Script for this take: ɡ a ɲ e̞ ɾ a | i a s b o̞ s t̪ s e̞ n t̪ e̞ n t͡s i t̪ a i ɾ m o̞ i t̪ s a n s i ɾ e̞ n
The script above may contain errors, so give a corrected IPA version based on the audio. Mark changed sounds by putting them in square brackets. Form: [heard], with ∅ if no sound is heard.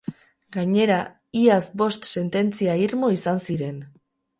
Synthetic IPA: ɡ a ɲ e̞ ɾ a | i a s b o̞ s t̪ s e̞ n t̪ e̞ n t͡s i [∅] a i ɾ m o̞ i [∅] s a n s i ɾ e̞ n